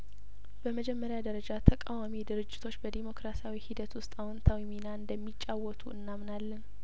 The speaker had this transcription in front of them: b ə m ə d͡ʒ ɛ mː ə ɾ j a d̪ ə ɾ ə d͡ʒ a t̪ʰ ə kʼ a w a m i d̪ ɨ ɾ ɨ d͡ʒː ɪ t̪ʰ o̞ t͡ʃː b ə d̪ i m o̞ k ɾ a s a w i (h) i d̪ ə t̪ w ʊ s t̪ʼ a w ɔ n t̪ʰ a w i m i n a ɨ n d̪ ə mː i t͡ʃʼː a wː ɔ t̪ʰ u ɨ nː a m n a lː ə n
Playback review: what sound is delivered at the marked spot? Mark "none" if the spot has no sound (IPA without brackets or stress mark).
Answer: h